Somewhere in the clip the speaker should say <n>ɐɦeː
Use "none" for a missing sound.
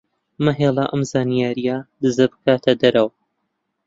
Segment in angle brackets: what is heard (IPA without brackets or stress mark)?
m